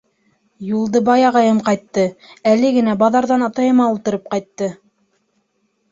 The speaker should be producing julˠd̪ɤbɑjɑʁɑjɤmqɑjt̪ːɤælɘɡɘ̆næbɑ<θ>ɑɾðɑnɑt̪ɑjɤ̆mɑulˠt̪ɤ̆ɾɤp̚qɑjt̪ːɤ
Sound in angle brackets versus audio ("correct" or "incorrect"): incorrect